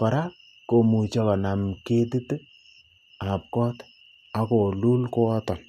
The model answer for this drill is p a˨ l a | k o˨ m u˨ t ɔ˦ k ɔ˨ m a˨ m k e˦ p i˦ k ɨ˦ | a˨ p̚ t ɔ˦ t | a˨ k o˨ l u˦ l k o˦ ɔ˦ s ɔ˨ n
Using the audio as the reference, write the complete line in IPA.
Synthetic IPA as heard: p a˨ ɾ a | k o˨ m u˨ t͡ʃ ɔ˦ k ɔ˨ n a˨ m k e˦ t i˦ t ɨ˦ | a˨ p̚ k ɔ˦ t | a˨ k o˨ l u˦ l k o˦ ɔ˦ t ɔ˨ n